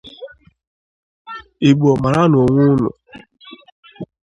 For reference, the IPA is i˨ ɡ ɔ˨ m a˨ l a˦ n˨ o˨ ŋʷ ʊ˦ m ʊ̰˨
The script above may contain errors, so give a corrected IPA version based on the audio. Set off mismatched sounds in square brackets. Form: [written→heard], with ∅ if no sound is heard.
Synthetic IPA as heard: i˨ [ɡ→ɡ͡b] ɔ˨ m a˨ [l→ɾ] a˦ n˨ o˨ ŋʷ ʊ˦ [m→n] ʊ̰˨